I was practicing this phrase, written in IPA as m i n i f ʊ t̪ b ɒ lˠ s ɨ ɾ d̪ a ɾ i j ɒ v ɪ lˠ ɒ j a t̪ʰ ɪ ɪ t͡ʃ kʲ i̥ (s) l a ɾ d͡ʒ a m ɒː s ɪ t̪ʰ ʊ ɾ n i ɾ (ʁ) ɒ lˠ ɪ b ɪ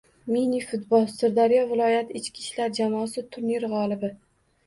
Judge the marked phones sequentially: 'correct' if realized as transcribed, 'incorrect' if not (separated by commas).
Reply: incorrect, correct